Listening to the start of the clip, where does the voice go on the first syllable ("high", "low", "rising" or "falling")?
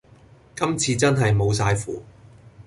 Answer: high